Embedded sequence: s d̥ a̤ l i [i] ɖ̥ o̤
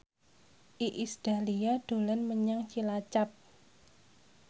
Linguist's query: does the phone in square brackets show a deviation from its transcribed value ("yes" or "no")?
yes